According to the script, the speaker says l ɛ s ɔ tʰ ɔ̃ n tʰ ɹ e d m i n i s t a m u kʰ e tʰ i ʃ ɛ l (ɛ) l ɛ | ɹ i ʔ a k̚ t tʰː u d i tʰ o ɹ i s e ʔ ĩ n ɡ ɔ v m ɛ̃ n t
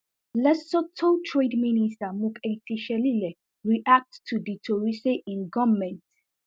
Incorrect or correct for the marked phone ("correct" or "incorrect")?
incorrect